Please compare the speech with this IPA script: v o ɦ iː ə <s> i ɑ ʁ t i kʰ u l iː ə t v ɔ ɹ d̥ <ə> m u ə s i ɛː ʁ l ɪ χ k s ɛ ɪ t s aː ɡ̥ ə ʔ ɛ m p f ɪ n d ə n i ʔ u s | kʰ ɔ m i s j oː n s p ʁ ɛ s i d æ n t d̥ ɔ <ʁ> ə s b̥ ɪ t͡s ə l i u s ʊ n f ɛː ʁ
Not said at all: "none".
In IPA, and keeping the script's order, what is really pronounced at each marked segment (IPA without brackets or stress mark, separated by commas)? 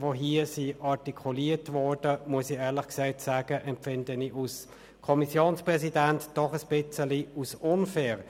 s, ə, χ